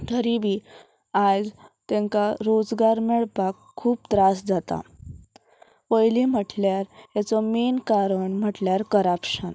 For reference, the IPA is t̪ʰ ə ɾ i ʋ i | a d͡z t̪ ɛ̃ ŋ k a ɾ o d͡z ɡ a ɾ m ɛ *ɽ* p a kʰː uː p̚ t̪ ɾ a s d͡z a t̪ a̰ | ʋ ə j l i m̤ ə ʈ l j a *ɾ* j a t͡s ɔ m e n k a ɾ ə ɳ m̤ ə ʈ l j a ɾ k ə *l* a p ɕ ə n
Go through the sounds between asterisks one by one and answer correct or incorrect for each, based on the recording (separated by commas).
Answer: incorrect, correct, incorrect